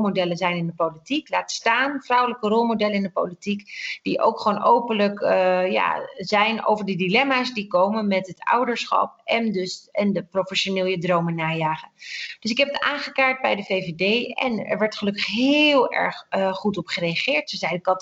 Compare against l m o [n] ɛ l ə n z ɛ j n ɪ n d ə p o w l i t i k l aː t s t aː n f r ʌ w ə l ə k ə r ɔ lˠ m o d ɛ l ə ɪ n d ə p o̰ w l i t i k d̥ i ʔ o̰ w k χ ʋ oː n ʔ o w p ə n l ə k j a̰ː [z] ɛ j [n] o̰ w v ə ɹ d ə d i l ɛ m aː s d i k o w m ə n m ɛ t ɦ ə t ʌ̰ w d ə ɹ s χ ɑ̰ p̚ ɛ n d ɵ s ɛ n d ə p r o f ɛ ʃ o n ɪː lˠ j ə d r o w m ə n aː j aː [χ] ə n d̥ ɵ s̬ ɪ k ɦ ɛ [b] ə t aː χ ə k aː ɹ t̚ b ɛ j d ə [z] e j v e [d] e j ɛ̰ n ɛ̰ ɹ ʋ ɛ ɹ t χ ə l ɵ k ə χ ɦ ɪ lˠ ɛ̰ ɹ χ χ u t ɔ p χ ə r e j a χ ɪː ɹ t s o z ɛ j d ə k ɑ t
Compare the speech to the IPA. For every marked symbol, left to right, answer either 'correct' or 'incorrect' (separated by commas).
incorrect, correct, correct, correct, incorrect, incorrect, correct